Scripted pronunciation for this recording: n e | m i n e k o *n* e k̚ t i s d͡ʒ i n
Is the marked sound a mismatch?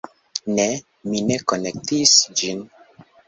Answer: no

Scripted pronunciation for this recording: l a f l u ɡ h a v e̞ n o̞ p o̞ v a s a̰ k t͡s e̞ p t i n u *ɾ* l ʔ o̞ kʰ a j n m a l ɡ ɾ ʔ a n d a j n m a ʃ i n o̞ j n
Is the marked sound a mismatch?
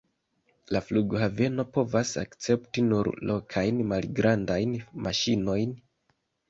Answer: no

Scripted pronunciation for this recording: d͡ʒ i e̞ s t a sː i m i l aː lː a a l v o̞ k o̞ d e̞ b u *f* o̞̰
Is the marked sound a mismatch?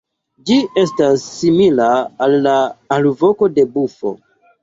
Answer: no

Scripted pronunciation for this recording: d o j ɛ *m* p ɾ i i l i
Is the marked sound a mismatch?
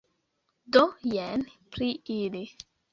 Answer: yes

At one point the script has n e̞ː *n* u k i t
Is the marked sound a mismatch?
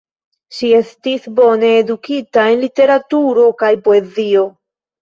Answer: yes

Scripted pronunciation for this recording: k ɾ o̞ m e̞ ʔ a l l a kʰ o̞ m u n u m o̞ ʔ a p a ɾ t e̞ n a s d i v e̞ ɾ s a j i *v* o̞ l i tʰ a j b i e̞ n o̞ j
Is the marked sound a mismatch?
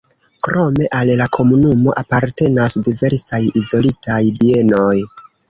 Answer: yes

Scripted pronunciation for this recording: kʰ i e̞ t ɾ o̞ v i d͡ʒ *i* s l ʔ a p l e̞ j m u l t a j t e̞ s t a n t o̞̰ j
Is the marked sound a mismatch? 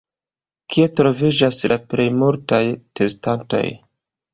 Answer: yes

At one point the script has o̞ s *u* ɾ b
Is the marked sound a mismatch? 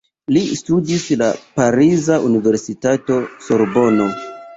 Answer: yes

